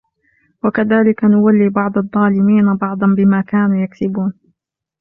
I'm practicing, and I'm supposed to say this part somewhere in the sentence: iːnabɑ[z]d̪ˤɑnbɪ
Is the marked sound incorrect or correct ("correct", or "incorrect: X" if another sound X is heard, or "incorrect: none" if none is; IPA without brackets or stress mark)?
incorrect: ʕ